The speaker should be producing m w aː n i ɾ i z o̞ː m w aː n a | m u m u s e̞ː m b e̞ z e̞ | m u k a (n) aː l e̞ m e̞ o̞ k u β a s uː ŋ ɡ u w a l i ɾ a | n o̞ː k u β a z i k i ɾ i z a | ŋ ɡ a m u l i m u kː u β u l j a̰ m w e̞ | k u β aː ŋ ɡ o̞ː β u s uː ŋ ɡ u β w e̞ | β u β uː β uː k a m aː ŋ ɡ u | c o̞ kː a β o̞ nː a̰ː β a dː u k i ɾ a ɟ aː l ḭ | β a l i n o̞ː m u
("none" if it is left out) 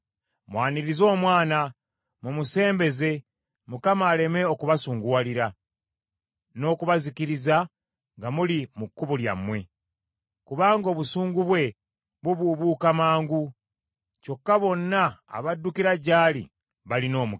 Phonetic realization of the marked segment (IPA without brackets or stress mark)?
m